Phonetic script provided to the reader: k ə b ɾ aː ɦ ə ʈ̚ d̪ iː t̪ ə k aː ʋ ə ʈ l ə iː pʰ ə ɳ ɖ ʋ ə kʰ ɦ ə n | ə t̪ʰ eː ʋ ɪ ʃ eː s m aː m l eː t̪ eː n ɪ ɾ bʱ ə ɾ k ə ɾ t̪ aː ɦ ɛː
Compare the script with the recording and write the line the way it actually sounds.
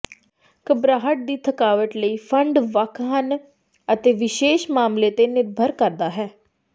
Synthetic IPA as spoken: k ə b ɾ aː ɦ ə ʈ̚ d̪ iː t̪ʰ ə k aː ʋ ə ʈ l ə iː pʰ ə ɳ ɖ ʋ ə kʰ ɦ ə n | ə t̪ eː ʋ ɪ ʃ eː ʃ m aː m l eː t̪ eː n ɪ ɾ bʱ ə ɾ k ə ɾ d̪ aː ɦ ɛː